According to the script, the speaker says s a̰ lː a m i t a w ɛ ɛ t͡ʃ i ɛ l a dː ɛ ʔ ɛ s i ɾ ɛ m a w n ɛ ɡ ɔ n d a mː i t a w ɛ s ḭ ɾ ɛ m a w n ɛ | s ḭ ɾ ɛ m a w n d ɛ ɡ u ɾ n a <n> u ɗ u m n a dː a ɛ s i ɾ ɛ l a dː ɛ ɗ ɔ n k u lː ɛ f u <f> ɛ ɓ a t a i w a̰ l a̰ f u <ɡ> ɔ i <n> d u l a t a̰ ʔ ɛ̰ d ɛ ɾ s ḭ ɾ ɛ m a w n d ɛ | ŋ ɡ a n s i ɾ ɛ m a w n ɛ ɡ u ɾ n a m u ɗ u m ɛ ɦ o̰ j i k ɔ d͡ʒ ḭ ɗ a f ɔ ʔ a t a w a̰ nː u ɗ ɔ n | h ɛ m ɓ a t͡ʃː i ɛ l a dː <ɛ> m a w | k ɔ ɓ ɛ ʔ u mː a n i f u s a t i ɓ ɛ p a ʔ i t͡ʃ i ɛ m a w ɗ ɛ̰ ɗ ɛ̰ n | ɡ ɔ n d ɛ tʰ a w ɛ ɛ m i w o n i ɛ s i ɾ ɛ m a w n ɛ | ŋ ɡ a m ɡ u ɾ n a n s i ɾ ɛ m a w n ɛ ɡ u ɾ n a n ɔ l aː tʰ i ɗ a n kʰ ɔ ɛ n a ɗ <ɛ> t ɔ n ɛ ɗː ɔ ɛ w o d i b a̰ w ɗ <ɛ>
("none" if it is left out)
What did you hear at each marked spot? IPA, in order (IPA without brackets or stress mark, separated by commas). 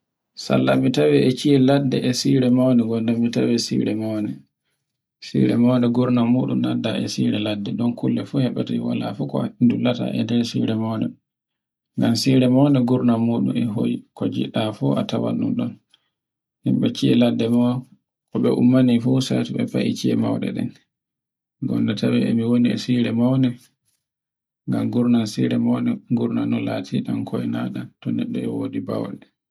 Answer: m, h, k, n, ɛ, a, ɛ